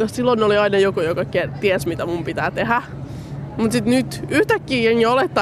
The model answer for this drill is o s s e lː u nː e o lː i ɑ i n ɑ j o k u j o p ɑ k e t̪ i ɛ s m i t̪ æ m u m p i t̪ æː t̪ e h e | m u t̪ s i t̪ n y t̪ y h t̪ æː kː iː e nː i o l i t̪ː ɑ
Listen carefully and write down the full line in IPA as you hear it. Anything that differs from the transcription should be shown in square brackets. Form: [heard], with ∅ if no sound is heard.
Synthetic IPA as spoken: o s s [i] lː [o] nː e o [l] i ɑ i n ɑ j o k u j o [k] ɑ k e t̪ i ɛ s m i t̪ æ m u m p i t̪ æː t̪ e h [æ] | m u t̪ s i t̪ n y t̪ y h t̪ [æ] kː iː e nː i o l [e] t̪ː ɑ